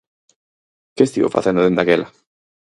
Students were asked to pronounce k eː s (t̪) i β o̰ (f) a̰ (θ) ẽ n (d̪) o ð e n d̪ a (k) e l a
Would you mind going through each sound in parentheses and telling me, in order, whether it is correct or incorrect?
correct, correct, correct, correct, correct

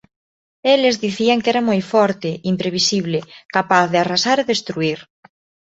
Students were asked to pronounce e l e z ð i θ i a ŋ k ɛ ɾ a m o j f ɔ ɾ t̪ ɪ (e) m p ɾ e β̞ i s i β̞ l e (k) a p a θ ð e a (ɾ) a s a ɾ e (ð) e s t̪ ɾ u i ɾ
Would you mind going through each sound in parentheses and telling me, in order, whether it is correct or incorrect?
incorrect, correct, incorrect, correct

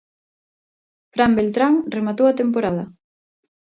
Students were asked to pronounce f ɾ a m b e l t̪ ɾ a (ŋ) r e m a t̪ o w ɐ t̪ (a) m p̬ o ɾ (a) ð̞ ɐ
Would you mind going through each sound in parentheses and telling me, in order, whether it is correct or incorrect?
correct, incorrect, correct

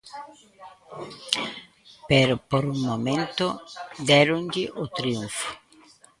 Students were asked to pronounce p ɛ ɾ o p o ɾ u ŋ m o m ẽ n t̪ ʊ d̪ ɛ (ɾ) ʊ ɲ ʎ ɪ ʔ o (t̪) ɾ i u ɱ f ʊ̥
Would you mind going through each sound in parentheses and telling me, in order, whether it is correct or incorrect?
correct, correct

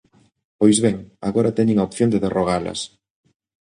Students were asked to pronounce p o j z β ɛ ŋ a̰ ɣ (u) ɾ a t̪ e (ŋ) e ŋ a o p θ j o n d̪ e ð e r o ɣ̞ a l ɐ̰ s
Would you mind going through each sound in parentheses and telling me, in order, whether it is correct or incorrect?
incorrect, incorrect

